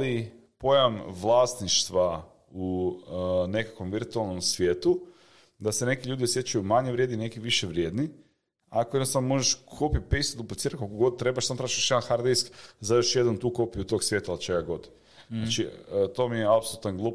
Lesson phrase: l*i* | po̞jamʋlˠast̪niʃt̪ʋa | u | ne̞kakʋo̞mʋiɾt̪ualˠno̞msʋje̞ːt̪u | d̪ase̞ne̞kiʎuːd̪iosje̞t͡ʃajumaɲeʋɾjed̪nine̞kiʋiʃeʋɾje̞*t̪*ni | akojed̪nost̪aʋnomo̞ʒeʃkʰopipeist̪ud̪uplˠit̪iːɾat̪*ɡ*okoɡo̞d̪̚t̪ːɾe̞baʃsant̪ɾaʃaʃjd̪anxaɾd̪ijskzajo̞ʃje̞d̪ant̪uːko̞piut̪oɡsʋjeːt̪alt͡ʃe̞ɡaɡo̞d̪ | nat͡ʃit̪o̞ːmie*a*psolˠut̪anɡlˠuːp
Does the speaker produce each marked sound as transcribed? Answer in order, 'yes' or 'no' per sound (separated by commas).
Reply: yes, no, no, yes